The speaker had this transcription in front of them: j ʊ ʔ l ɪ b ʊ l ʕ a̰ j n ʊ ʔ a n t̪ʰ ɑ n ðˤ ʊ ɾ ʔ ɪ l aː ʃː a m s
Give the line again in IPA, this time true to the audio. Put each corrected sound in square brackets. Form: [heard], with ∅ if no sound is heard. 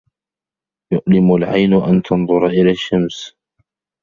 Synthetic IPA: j ʊ ʔ l ɪ [m] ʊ l ʕ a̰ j n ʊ ʔ a n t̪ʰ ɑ n ðˤ ʊ ɾ ʔ ɪ l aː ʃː a m s